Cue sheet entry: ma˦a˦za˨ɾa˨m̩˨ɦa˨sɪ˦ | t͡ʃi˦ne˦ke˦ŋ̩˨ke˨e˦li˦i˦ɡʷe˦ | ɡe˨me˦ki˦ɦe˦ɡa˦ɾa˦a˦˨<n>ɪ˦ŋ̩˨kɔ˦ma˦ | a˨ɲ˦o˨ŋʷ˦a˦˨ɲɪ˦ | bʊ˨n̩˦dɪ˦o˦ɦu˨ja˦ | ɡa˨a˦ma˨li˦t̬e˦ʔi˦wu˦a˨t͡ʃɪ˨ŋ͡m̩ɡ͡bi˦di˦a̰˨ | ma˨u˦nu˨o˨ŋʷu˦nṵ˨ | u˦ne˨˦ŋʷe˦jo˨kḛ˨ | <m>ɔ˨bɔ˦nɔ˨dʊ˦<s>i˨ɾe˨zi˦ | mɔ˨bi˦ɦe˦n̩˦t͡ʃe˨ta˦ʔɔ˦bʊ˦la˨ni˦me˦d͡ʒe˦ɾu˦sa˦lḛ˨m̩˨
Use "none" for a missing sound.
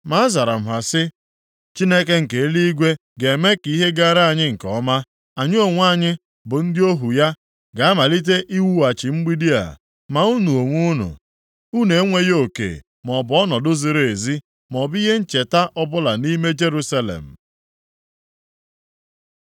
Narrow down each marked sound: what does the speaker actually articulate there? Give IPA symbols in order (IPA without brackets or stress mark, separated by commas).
ɲ, m, z